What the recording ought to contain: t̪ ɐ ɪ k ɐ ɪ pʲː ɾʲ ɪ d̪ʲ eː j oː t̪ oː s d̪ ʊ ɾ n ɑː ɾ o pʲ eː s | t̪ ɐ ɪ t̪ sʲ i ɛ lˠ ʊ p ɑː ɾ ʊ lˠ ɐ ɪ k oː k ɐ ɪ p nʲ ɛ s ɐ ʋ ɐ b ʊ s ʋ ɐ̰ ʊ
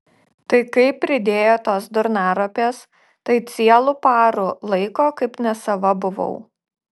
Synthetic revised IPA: t̪ ɐ ɪ k ɐ ɪ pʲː ɾʲ ɪ d̪ʲ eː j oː t̪ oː s d̪ ʊ ɾ n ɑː ɾ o pʲ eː s | t̪ ɐ ɪ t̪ sʲ i ɛ lˠ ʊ p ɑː ɾ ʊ lˠ ɐ ɪ k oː k ɐ ɪ p nʲ ɛ s ɐ ʋ ɐ b ʊ ʋ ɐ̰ ʊ